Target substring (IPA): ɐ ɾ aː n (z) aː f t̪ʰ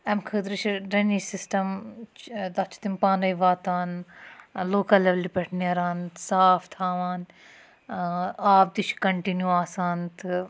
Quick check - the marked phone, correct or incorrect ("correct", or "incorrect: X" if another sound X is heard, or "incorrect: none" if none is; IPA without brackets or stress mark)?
incorrect: s